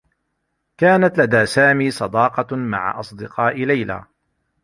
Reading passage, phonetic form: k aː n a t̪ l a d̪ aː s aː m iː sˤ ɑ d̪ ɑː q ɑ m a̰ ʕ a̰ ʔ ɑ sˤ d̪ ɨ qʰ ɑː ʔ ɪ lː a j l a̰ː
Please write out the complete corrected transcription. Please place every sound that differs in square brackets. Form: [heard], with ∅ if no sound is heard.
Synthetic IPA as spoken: k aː n a t̪ l a d̪ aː s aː m iː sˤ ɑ d̪ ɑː q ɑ m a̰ ʕ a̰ ʔ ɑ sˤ d̪ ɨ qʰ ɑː ʔ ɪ [l] a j l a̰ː